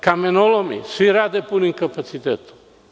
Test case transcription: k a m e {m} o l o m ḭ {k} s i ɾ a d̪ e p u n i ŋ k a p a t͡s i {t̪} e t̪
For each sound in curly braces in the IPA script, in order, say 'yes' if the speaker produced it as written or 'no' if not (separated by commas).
no, no, yes